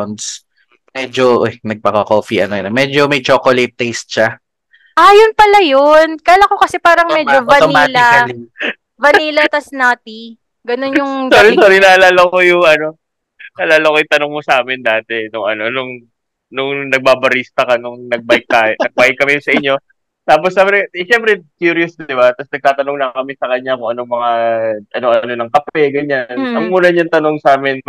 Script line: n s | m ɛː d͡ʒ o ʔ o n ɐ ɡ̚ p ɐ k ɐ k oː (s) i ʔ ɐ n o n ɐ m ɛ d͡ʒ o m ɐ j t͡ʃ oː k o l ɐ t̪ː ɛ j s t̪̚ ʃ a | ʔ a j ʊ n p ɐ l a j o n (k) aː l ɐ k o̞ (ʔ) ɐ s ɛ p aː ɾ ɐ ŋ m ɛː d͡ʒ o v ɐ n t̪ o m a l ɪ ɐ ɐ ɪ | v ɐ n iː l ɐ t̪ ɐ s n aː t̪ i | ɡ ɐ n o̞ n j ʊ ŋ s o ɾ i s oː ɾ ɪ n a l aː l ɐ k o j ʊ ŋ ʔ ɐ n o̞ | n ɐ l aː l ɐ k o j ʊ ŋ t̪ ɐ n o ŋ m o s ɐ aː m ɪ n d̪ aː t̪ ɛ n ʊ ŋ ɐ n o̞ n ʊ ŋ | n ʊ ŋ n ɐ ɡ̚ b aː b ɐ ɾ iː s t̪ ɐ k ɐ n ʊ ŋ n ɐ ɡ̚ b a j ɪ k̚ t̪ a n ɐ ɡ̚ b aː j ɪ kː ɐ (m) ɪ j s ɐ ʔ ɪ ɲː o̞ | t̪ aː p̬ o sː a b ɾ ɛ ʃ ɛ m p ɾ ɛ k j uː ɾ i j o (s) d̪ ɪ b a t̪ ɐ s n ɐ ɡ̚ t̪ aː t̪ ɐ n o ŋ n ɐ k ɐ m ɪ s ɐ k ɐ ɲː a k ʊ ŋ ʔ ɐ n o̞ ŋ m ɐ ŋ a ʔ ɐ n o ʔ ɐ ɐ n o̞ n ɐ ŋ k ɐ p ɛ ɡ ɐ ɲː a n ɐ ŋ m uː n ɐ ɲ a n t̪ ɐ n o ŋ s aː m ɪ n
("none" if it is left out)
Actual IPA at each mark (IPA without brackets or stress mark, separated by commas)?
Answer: f, k, k, m, s